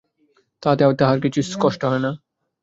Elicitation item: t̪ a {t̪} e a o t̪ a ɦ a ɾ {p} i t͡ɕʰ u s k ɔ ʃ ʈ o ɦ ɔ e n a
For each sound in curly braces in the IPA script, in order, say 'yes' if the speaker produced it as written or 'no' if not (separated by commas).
yes, no